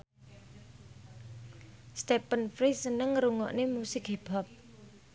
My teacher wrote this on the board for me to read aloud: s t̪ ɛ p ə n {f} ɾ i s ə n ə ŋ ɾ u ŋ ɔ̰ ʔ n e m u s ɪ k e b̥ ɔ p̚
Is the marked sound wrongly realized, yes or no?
no